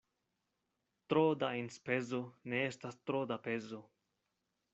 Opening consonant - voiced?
no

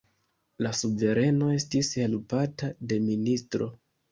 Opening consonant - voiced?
yes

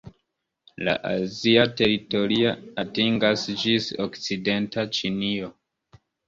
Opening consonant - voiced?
yes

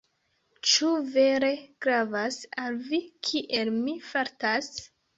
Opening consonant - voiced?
no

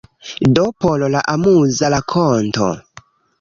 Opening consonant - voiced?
yes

